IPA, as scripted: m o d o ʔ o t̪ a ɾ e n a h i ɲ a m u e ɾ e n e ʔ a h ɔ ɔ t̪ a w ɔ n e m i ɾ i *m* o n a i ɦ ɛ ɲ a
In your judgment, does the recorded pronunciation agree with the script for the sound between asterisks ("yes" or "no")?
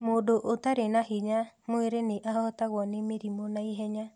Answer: yes